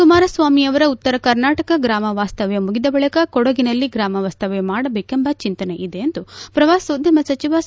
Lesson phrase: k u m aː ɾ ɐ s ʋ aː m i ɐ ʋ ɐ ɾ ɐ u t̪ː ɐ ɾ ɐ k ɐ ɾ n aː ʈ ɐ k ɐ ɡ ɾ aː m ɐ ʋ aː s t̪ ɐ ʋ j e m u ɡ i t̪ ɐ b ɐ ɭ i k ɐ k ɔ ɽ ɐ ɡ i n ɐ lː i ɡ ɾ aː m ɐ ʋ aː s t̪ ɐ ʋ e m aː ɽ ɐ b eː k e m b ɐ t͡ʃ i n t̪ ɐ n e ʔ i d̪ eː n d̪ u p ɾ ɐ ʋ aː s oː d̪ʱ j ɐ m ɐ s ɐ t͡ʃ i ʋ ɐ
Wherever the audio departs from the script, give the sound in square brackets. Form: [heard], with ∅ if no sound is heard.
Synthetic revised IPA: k u m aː ɾ ɐ s ʋ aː m i ɐ ʋ ɐ ɾ ɐ u t̪ː ɐ ɾ ɐ k ɐ ɾ n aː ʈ ɐ k ɐ ɡ ɾ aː m ɐ ʋ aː s t̪ ɐ ʋ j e m u ɡ i [d̪] ɐ b ɐ ɭ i k ɐ k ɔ ɽ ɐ ɡ i n ɐ lː i ɡ ɾ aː m ɐ ʋ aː s t̪ ɐ ʋ e m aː ɽ ɐ b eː k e m b ɐ t͡ʃ i n t̪ ɐ n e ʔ i d̪ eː n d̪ u p ɾ ɐ ʋ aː s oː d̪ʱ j ɐ m ɐ s ɐ t͡ʃ i ʋ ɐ